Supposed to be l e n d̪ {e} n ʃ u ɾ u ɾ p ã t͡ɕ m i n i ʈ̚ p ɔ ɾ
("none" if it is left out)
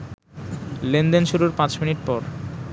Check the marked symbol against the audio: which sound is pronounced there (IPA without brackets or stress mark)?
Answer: e